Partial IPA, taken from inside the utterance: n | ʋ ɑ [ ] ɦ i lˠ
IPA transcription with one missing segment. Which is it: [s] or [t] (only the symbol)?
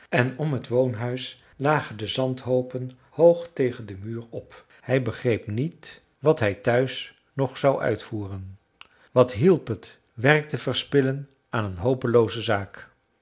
t